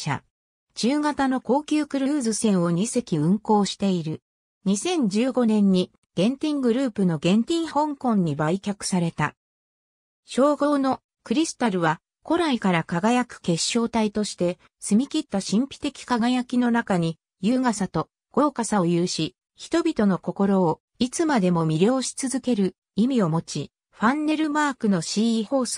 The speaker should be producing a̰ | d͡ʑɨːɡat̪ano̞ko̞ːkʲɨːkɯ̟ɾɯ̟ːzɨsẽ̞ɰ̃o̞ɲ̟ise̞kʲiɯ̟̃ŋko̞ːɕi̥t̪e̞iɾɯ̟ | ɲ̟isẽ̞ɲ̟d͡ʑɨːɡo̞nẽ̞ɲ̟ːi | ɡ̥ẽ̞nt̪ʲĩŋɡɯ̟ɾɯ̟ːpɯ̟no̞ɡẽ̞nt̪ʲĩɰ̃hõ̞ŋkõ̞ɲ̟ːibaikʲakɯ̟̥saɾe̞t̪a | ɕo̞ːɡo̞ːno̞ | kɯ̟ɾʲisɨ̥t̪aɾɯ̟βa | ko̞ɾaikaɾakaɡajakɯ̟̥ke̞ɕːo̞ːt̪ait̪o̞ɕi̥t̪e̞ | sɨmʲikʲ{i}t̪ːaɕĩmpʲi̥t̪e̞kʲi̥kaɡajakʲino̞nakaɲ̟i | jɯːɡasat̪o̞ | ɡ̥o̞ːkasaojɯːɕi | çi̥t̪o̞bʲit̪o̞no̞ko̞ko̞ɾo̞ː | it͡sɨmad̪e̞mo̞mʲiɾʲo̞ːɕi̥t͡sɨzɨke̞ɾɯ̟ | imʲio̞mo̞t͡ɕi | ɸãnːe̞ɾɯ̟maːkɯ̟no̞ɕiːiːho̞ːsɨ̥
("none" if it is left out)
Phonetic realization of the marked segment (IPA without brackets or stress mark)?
i